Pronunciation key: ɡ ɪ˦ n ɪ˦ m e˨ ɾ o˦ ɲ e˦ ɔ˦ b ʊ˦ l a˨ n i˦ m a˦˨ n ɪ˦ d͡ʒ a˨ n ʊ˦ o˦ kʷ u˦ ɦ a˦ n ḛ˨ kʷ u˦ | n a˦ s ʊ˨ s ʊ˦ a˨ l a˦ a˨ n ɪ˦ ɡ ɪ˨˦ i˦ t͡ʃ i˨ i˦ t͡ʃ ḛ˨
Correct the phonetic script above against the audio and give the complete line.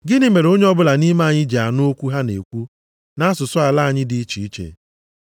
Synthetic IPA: ɡ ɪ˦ n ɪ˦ m e˨ ɾ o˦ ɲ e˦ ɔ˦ b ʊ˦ l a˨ n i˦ m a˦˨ ɲ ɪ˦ d͡ʒ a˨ n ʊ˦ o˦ kʷ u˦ ɦ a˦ n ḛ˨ kʷ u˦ | n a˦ s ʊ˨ s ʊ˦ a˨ l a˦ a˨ ɲ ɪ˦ d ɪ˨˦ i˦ t͡ʃ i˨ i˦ t͡ʃ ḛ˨

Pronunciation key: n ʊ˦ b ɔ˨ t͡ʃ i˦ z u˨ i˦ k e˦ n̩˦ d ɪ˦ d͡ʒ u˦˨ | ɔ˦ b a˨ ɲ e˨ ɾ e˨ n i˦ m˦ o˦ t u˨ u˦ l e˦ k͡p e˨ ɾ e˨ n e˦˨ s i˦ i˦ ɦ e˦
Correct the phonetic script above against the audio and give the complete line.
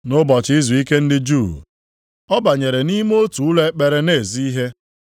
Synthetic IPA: n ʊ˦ b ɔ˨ t͡ʃ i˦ z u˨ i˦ k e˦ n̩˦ d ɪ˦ d͡ʒ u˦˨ | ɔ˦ b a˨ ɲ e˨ ɾ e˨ n i˦ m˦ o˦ t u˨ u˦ l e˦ k͡p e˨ ɾ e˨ n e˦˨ z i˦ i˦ ɦ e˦

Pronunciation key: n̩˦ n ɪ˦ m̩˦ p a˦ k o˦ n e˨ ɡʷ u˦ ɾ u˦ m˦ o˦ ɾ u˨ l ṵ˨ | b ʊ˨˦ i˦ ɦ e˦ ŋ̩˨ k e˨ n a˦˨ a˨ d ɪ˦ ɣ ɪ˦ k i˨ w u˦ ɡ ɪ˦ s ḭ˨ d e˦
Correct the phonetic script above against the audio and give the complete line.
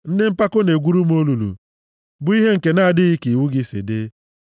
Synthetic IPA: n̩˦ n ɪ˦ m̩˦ p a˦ k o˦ n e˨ ɡʷ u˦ ɾ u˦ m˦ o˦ l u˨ l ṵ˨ | b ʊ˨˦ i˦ ɦ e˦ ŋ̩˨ k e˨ n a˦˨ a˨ d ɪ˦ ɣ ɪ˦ k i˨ w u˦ ɡ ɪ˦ s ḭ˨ d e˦

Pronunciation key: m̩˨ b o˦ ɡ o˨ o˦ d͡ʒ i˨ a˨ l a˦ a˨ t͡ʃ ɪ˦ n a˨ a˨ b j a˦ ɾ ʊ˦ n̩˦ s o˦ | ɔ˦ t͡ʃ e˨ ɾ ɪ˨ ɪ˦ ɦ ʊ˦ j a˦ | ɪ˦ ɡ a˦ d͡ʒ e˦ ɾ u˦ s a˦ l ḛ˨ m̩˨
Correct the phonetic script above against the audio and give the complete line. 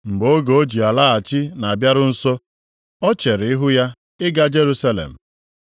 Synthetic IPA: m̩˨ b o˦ ɡ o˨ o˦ d͡ʒ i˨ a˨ l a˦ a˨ t͡ʃ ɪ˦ n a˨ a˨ b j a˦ ɾ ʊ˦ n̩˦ s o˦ | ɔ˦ t͡ʃ e˨ ɾ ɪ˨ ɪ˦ ɦ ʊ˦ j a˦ | ɪ˦ ɡ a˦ d͡ʒ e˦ ɾ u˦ s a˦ l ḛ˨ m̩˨

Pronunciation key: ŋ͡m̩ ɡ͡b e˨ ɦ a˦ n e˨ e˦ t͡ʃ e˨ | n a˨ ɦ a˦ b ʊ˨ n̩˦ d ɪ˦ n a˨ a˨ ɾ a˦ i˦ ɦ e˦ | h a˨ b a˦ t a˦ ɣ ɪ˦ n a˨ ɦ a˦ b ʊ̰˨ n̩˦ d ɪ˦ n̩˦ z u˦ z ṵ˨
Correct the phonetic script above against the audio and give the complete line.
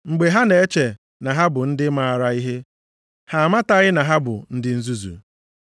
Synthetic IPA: ŋ͡m̩ ɡ͡b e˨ ɦ a˦ n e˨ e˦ t͡ʃ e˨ | n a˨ ɦ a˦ b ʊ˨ n̩˦ d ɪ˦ m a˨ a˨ ɾ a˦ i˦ ɦ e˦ | h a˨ m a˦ t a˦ ɣ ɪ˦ n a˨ ɦ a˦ b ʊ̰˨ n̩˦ d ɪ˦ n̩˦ z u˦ z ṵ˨

